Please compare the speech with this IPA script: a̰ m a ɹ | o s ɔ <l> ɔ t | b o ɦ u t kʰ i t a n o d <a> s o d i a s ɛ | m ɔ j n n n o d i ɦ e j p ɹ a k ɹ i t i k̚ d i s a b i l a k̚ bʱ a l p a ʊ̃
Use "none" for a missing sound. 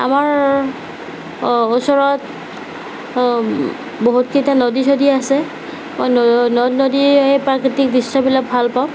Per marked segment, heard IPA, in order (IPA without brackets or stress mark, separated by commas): ɹ, i